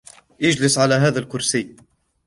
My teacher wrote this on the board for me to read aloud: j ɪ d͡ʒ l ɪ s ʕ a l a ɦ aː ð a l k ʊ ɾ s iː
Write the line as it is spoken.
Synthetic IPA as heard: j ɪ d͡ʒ l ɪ s ʕ a l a ɦ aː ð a l k ʊ ɾ s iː

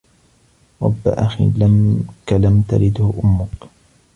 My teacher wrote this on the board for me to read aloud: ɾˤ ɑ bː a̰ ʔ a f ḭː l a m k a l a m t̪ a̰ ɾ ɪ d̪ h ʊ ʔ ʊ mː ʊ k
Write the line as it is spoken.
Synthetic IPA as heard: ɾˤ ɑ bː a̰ ʔ a x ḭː l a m k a l a m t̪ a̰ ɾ ɪ d̪ h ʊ ʔ ʊ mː ʊ k

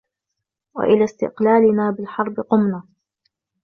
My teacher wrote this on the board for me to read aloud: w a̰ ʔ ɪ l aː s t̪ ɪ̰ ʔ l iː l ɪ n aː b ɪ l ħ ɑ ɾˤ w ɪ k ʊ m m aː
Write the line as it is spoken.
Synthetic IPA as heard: w a̰ ʔ ɪ l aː s t̪ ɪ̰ q l aː l ɪ n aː b ɪ l ħ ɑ ɾˤ b ɪ q ʊ m n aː

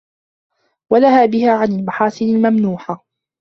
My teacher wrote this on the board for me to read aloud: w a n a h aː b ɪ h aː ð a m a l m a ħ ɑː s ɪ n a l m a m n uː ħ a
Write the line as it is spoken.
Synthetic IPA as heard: w a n a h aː b ɪ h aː ʕ a n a l m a ħ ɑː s ɪ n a l m a m n uː ħ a

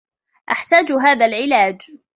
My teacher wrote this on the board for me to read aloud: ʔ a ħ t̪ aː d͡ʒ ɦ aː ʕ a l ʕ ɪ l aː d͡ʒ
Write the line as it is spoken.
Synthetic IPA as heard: ʔ a ħ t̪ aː d͡ʒ ɦ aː ð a l ʕ ɪ l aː d͡ʒ

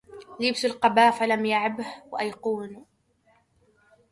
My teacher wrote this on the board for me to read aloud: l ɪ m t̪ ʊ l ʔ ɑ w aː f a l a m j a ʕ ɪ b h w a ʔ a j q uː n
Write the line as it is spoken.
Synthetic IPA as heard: l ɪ b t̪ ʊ l q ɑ b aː f a l a m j a ʕ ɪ b h w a ʔ a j q uː n

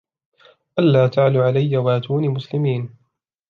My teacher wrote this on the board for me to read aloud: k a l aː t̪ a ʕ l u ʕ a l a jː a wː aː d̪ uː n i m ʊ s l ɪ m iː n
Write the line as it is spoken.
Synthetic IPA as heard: ʔ a lː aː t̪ a ʕ l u ʕ a l a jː a w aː t̪ uː n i m ʊ s l ɪ m iː n

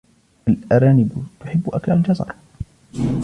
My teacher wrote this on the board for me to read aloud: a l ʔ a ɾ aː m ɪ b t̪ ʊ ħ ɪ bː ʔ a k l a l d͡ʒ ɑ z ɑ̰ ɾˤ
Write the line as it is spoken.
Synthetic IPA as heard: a l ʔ a ɾ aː n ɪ b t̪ ʊ ħ ɪ bː ʔ a k l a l d͡ʒ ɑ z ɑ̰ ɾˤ

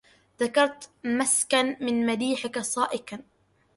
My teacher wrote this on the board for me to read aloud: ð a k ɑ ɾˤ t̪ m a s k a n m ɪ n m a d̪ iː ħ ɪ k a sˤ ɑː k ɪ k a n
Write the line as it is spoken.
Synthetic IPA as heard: ð a k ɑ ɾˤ t̪ m a s k a n m ɪ n m a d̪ iː ħ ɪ k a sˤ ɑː ʔ ɪ k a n

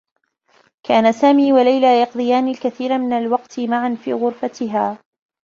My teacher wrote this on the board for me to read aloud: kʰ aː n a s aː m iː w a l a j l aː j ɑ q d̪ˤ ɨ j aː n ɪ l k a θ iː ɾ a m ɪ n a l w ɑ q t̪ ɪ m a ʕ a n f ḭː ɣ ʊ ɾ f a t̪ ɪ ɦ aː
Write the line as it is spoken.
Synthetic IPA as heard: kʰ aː n a s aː m iː w a l a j l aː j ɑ q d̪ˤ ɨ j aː n ɪ l k a θ iː ɾ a m ɪ n a l w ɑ q t̪ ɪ m a ʕ a n f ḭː ɣ ʊ ɾ f a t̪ ɪ ɦ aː

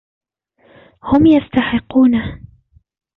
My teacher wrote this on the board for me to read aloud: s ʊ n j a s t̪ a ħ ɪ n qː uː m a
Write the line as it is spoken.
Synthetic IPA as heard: h ʊ m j a s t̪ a ħ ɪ qː uː n a

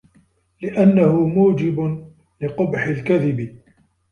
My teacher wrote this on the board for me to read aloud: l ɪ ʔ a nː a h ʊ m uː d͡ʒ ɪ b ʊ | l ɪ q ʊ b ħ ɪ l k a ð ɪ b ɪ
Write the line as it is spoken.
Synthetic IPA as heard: l ɪ ʔ a nː a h ʊ m uː d͡ʒ ɪ b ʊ | l ɪ q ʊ b ħ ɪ l k a ð ɪ b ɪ

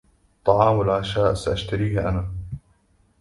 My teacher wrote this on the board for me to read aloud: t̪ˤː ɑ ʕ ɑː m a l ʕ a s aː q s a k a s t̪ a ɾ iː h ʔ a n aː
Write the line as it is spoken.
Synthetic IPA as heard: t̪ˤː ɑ ʕ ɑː m a l ʕ a ʃ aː ʔ s a ʔ a ʃ t̪ a ɾ iː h ʔ a n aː

